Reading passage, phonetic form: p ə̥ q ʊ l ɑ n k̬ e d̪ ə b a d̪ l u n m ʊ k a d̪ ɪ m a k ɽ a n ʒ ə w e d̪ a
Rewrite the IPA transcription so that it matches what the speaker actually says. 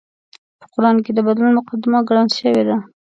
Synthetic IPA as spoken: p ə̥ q ʊ ɾ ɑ n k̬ e d̪ ə b a d̪ l u n m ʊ q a d̪ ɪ m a ɡ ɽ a n ʃ ə w e d̪ a

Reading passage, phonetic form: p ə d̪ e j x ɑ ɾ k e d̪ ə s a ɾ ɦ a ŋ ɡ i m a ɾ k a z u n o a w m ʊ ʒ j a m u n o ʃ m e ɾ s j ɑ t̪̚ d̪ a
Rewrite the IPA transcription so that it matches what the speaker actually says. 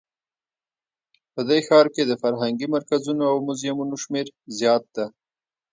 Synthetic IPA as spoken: p ə d̪ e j x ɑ ɾ k e d̪ ə f a ɾ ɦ a ŋ ɡ i m a ɾ k a z u n o a w m ʊ z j a m u n o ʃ m e ɾ z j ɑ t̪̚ d̪ a

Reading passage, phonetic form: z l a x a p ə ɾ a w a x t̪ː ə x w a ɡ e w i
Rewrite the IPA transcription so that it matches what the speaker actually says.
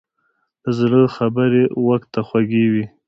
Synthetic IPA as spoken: z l ə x a b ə ɾ e w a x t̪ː a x w a ɡ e w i

